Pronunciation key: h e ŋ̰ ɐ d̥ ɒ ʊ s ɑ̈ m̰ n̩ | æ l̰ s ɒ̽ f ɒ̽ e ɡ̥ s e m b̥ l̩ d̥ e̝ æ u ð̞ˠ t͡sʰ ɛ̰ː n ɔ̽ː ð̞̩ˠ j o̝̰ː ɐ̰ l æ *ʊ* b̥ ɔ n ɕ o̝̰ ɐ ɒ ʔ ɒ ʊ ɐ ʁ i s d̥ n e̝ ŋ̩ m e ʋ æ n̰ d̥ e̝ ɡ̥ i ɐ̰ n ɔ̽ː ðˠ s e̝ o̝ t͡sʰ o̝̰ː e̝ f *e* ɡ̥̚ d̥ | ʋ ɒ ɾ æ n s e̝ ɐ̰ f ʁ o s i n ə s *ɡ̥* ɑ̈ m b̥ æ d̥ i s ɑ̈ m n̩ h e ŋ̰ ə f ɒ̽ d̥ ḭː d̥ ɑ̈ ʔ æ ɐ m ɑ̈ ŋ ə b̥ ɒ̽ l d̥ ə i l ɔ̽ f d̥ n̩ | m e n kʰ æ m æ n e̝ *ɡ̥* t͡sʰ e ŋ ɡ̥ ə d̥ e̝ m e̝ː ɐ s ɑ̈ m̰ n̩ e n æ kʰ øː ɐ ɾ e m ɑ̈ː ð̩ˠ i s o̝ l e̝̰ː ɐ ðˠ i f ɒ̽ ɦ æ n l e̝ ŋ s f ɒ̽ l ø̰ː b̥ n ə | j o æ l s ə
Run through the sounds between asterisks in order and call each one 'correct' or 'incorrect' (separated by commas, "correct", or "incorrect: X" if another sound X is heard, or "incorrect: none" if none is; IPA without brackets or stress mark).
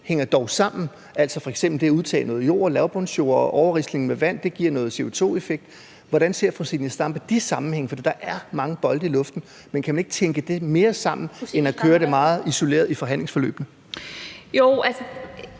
correct, correct, incorrect: d̥, correct